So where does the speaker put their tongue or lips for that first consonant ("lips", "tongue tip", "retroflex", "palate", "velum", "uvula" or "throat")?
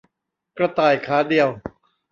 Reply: velum